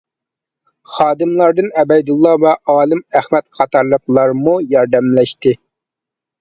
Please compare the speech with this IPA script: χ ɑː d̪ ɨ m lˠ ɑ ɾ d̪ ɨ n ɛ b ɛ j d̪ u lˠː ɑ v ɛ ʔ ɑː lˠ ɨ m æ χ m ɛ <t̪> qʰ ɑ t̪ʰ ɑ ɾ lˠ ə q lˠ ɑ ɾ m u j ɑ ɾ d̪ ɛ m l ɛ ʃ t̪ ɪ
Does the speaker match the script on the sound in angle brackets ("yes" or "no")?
yes